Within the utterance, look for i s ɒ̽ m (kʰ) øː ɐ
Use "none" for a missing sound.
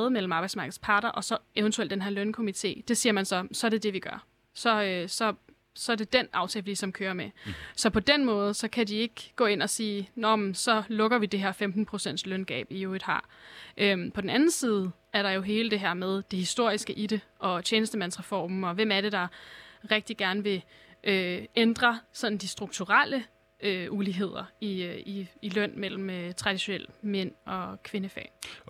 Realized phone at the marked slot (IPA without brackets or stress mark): kʰ